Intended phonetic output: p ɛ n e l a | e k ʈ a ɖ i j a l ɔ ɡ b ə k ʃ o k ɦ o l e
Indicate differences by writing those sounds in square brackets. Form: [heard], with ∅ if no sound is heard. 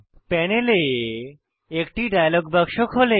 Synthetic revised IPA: p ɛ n e l [e] | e k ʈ [i] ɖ [a] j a l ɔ ɡ b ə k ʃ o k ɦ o l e

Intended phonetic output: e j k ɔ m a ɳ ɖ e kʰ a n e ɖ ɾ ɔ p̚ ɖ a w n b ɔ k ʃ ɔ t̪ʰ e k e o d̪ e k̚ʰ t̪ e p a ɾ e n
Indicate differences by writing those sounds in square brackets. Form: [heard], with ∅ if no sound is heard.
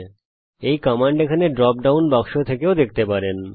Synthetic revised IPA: e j k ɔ m a ɳ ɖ e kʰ a n e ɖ ɾ ɔ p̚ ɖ a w n b ɔ k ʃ [o] t̪ʰ e k e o d̪ e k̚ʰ t̪ e p a ɾ e n

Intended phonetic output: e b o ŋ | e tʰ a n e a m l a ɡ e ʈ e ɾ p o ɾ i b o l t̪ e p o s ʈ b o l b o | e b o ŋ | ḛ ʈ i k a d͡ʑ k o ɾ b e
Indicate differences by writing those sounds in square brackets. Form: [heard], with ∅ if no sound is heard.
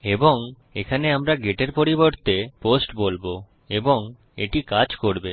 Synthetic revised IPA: e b o ŋ | e [kʰ] a n e a m [ɾ] a ɡ e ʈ e ɾ p o ɾ i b o [ɾ] t̪ e p o s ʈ b o l b o | e b o ŋ | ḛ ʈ i k a d͡ʑ k o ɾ b e

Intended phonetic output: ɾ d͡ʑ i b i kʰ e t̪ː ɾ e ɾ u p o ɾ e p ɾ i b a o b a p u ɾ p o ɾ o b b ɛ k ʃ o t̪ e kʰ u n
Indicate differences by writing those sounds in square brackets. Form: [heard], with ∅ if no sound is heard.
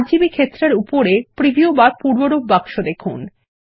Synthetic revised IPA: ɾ d͡ʑ i b i kʰ e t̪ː ɾ e ɾ u p o ɾ e p ɾ i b [i] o b a p u ɾ [b] o ɾ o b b [a] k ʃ o [d̪] e kʰ u n

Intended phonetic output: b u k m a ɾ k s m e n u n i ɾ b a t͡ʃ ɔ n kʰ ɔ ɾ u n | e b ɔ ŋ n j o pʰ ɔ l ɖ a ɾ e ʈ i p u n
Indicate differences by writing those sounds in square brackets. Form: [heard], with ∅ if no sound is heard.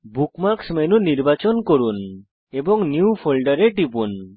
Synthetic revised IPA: b u k m a ɾ k s m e n u n i ɾ b a t͡ʃ ɔ n [k] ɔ ɾ u n | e b ɔ ŋ n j [u] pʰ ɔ l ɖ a ɾ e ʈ i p u n

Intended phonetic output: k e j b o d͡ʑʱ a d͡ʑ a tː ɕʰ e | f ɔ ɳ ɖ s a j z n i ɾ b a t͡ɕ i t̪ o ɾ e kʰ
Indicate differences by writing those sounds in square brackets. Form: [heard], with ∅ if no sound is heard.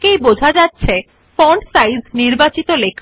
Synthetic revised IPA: k e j b o d͡ʑʱ a d͡ʑ a tː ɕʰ e | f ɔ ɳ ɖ s a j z n i ɾ b a t͡ɕ i t̪ o [l] e kʰ

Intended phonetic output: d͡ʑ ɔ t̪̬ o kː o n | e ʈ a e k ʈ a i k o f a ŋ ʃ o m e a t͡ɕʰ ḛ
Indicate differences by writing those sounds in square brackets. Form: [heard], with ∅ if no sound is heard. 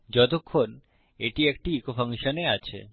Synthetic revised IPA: d͡ʑ ɔ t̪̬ o [kʰː] o n | e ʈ [i] e k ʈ [i] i k o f a ŋ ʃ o [n] e a t͡ɕʰ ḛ

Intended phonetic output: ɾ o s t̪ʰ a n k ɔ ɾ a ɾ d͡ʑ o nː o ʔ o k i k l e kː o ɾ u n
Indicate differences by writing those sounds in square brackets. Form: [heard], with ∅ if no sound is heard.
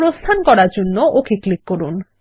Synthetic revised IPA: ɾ o s t̪ʰ a n k ɔ ɾ a ɾ d͡ʑ o nː o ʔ o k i k l [i] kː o ɾ u n

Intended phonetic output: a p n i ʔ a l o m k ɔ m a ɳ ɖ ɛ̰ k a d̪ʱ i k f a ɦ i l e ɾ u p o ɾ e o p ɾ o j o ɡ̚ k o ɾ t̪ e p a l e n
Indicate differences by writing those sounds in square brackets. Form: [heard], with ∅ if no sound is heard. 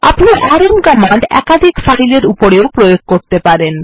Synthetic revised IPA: a p n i ʔ a [ɾ] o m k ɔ m a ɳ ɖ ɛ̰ k a d̪ʱ i k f a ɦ i l e ɾ u p o ɾ e o p ɾ o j o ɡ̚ k o ɾ t̪ e p a [ɾ] e n

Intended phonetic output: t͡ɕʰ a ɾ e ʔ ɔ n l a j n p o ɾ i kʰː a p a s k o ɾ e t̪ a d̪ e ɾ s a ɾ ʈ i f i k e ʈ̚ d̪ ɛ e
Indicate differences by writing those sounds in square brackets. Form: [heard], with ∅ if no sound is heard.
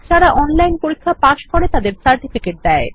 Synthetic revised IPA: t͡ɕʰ a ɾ [a] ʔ ɔ n l a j n p o ɾ i kʰː a p a [ʃ] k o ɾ e t̪ a d̪ e ɾ s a ɾ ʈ i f i k e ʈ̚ d̪ ɛ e

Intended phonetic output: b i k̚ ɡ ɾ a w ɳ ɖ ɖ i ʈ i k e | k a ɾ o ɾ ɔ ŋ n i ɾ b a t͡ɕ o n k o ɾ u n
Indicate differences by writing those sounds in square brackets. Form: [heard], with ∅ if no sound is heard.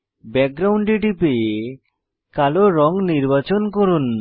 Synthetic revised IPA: b [ɛ] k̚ ɡ ɾ a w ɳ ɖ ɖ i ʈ i [p] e | k a [l] o ɾ ɔ ŋ n i ɾ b a t͡ɕ o n k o ɾ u n

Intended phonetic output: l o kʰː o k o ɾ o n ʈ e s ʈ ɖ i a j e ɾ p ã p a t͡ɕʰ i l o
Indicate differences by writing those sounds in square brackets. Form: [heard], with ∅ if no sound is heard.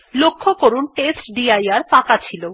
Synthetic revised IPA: l o kʰː o k o ɾ [u] n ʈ e s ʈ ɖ i a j [a] ɾ p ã [k] a t͡ɕʰ i l o

